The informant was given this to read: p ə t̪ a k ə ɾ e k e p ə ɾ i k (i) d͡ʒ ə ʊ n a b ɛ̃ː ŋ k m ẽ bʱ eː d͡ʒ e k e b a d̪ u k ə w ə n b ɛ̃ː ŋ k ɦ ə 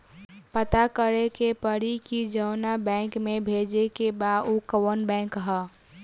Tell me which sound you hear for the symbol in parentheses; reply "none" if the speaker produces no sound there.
i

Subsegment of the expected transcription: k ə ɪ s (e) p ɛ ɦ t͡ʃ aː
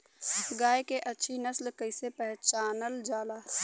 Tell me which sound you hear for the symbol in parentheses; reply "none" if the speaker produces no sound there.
e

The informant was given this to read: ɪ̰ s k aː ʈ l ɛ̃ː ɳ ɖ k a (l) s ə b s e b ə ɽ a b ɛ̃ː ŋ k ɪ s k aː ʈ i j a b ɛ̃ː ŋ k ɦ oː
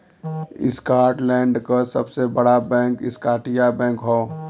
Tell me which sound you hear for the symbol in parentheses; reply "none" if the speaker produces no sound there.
none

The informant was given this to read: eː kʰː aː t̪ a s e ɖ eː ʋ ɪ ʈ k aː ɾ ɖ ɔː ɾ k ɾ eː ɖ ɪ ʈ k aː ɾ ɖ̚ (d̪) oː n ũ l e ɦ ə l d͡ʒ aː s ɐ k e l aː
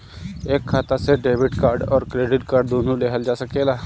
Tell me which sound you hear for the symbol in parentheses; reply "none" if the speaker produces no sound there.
d̪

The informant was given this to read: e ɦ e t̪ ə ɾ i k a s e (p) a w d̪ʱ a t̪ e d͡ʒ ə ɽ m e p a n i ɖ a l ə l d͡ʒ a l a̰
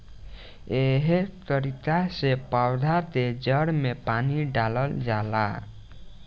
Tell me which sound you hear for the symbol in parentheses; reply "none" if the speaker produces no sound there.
p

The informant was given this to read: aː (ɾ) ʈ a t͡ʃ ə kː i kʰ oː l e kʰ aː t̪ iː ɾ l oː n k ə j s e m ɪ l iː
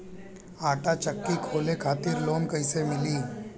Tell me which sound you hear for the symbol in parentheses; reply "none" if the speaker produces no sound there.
none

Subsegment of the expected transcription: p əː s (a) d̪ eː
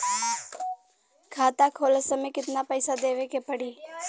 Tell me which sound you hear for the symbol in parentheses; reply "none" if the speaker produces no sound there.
a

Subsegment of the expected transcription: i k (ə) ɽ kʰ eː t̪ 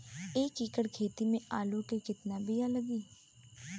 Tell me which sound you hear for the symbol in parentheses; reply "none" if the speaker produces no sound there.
ə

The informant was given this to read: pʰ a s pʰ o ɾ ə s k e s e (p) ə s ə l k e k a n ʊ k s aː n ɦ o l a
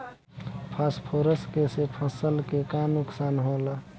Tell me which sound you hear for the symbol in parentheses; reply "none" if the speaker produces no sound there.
pʰ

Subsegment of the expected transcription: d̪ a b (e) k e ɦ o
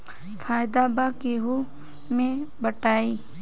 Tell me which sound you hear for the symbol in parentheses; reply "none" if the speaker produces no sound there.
a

